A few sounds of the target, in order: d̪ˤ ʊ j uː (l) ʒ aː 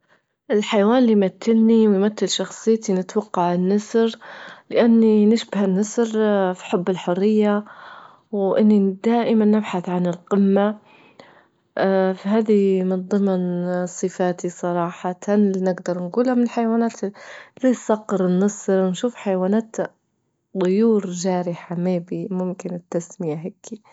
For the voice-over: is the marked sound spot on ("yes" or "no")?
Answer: no